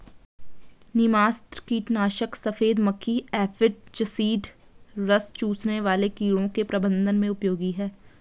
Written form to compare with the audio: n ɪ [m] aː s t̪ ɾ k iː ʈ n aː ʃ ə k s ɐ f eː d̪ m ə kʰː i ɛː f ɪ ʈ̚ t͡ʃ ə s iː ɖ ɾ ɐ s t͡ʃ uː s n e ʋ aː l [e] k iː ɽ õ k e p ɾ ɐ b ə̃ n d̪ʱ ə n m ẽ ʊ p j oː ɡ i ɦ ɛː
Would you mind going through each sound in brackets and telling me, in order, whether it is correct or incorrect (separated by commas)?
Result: correct, correct